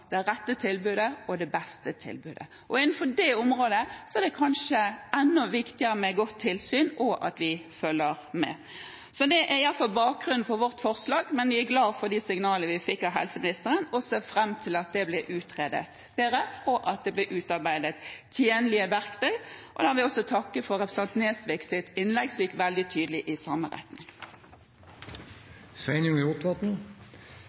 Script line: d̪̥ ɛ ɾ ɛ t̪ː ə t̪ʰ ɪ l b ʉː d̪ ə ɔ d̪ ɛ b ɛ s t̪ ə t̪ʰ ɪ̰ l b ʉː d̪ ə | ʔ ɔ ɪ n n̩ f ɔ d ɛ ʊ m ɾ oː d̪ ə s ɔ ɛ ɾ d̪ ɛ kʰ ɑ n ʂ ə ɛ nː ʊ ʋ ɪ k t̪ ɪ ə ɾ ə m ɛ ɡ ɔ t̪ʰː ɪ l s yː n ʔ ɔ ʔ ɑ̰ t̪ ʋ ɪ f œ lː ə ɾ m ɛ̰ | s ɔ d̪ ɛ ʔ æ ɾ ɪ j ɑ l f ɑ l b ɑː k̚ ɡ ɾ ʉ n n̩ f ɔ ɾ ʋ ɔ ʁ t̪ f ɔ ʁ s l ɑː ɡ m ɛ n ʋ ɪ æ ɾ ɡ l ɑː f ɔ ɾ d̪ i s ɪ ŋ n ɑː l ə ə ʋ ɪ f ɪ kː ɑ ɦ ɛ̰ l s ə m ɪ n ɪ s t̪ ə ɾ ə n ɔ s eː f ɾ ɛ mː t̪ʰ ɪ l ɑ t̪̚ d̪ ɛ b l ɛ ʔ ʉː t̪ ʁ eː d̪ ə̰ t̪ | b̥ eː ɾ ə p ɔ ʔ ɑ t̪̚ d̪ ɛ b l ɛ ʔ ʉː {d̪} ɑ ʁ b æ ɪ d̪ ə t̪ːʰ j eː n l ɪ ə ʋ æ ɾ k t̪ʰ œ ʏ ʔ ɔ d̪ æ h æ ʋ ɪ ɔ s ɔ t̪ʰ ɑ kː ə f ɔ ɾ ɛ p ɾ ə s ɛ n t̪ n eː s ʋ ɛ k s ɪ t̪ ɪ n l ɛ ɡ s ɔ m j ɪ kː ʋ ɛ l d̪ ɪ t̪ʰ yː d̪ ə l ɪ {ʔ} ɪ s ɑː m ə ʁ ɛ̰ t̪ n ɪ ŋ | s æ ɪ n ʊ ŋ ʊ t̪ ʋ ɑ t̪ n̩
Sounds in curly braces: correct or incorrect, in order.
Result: incorrect, correct

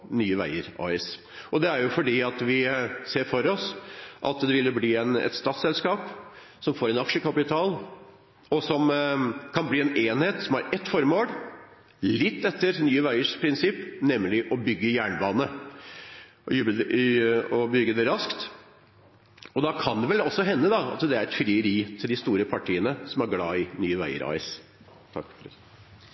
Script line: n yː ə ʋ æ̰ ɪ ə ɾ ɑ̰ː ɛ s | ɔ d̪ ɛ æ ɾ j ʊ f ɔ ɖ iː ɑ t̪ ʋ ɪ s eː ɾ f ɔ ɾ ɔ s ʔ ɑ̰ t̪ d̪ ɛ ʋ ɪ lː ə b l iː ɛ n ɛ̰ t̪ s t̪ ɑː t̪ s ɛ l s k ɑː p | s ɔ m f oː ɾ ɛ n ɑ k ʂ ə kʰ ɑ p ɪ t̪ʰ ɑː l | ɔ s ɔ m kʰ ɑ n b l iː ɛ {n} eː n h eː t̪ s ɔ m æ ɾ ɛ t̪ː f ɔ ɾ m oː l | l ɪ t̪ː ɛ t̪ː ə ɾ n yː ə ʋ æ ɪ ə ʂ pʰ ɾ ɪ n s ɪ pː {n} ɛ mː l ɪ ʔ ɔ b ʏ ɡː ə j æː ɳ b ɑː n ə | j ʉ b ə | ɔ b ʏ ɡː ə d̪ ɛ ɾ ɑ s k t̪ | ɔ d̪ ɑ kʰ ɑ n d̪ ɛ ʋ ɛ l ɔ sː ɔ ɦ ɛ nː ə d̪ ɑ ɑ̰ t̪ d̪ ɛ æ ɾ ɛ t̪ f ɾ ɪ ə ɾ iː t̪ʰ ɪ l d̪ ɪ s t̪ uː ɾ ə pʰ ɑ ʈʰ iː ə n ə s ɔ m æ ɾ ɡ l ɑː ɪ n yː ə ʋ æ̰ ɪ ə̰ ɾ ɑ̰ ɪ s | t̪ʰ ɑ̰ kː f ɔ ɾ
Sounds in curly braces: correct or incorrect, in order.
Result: correct, correct

